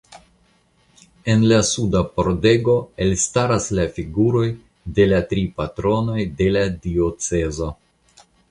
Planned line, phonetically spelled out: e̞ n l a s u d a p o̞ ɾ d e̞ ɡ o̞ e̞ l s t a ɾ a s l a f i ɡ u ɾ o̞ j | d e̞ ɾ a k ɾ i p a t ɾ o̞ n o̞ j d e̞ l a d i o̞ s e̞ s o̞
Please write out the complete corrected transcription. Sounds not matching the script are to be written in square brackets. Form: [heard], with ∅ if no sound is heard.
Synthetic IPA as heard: e̞ n l a s u d a p o̞ ɾ d e̞ ɡ o̞ e̞ l s t a ɾ a s l a f i ɡ u ɾ o̞ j | d e̞ [l] a [t] ɾ i p a t ɾ o̞ n o̞ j d e̞ l a d i o̞ [t͡s] e̞ [z] o̞